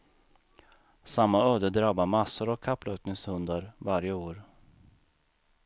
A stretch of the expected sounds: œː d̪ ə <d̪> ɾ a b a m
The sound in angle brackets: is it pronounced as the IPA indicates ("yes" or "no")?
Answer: yes